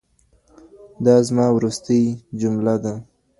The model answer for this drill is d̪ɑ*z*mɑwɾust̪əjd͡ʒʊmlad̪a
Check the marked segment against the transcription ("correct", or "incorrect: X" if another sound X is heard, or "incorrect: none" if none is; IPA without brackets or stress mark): correct